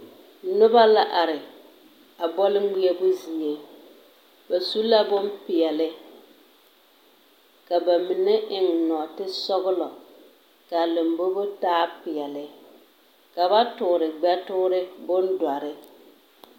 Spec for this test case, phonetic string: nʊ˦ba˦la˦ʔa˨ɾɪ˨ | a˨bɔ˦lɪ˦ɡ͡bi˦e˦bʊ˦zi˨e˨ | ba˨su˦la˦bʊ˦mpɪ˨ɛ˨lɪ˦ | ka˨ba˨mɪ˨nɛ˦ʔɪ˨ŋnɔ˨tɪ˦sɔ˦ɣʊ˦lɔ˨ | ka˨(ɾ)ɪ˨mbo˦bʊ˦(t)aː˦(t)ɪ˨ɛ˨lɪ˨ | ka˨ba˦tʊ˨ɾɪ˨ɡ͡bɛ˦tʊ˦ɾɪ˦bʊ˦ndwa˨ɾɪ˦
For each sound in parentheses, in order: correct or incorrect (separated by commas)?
incorrect, correct, incorrect